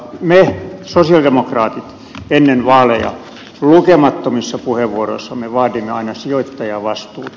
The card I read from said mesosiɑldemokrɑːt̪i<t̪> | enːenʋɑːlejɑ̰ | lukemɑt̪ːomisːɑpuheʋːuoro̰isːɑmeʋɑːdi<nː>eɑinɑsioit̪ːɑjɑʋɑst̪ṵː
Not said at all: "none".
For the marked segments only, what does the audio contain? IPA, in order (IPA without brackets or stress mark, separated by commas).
t̪, mː